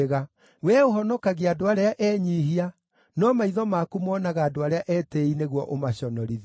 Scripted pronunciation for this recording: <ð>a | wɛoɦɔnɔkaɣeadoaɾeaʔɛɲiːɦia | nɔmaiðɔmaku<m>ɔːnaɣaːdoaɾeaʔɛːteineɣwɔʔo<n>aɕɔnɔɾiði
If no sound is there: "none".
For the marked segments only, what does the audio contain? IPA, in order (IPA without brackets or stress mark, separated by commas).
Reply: ɣ, m, m